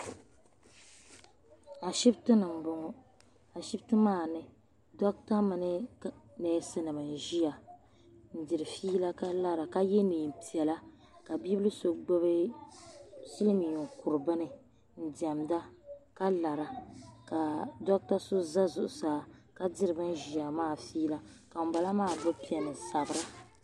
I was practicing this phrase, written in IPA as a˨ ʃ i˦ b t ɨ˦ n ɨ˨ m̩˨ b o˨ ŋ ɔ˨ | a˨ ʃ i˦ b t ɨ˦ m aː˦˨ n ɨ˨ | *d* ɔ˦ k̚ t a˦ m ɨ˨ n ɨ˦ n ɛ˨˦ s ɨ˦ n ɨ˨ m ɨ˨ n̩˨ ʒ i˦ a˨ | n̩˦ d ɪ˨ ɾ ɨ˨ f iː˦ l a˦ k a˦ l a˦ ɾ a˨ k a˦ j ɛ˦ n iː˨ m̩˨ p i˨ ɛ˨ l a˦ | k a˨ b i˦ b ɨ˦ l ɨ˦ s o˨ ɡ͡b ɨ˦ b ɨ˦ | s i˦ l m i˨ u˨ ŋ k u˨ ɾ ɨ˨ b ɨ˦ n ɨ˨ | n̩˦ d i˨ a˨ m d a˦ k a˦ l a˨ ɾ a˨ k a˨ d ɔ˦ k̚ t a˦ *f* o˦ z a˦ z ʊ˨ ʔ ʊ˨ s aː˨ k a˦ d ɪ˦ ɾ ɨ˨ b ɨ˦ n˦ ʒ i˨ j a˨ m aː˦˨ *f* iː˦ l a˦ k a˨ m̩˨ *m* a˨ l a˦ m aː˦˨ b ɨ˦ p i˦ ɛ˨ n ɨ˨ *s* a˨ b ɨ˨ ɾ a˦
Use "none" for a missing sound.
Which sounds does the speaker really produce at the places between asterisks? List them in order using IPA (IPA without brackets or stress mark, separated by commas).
d, s, f, b, s